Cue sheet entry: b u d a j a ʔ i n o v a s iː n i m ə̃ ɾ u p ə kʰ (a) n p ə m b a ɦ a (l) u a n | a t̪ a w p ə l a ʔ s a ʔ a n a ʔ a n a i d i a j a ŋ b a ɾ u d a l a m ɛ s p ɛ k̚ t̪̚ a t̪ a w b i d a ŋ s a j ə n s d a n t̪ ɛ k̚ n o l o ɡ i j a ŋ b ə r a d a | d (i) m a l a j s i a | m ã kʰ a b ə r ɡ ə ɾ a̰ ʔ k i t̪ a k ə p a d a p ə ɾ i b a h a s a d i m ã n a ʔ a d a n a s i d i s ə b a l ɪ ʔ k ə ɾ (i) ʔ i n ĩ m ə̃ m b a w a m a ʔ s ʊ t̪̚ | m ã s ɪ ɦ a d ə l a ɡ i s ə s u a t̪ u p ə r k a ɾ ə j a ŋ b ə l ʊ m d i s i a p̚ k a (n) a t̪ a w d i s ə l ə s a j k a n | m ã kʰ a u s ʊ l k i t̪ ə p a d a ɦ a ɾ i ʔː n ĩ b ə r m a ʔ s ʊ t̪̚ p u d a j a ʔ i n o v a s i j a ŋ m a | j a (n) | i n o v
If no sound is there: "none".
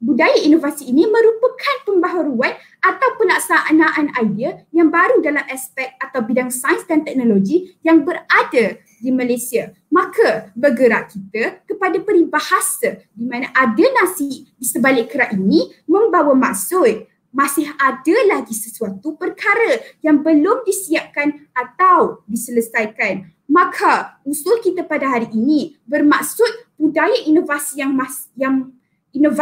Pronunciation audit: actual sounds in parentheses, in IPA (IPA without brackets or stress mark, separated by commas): a, ɾ, i, a, n, ŋ